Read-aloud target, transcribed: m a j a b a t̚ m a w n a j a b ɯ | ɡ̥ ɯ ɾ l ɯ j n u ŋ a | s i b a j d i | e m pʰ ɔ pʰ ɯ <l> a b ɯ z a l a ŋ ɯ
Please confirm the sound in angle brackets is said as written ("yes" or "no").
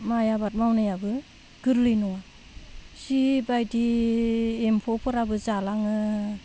no